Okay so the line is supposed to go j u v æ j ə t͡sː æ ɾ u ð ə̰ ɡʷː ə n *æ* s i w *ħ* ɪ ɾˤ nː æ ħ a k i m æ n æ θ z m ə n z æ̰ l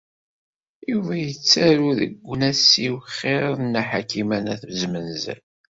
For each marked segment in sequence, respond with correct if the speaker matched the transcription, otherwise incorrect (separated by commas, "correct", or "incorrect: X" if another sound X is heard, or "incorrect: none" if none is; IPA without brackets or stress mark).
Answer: correct, incorrect: χ